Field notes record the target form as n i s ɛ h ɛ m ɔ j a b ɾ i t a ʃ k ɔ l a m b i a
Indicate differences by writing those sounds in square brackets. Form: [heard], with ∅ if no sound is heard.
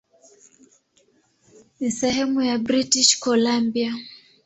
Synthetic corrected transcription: n i s ɛ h ɛ m [u] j a b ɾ i t [i] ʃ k ɔ l a m b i a

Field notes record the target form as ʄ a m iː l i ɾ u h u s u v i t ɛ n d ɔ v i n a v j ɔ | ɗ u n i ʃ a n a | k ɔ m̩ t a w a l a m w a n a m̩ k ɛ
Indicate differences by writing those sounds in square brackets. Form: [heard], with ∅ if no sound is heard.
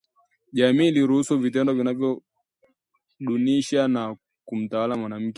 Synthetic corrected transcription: ʄ a m iː l i ɾ u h u s u v i t ɛ n d ɔ v i n a v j ɔ | ɗ u n i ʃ a n a | k [u] m̩ t a w a l a m w a n a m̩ k ɛ

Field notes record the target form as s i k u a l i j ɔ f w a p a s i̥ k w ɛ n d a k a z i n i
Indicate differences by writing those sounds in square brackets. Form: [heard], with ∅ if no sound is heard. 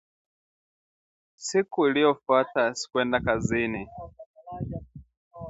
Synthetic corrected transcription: s i k u [i] l i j ɔ f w a [t] a s i̥ k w ɛ n d a k a z i n i

